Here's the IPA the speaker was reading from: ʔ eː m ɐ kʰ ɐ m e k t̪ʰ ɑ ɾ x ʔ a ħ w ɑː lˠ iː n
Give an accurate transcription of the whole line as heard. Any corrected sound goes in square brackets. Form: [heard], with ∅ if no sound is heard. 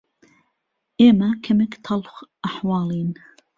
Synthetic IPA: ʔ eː m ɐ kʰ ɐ m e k t̪ʰ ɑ [l] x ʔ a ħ w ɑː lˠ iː n